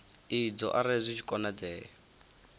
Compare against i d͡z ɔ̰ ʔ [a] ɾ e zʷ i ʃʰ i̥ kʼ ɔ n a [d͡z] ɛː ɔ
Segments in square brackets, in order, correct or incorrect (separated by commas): correct, correct